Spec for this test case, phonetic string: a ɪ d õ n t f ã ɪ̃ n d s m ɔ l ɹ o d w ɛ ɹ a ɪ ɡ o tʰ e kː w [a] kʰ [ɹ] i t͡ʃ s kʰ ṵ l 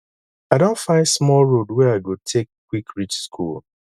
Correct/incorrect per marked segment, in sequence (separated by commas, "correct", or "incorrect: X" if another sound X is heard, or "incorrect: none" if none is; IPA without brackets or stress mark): incorrect: i, correct